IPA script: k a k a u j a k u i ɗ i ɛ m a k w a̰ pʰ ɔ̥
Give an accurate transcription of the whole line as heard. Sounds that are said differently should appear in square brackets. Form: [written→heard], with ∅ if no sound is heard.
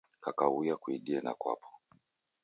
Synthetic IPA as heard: k a k a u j a k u i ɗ i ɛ [m→n] a k w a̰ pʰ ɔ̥